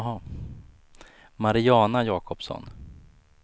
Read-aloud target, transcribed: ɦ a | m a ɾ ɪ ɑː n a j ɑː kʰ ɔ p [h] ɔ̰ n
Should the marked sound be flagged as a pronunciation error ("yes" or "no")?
yes